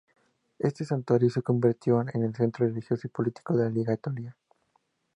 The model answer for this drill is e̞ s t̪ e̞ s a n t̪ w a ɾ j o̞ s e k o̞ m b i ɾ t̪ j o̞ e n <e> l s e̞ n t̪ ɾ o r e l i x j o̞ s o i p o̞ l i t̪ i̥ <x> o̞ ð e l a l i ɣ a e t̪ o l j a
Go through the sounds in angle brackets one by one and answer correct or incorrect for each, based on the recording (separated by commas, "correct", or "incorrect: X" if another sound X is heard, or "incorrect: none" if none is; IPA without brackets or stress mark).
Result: correct, incorrect: k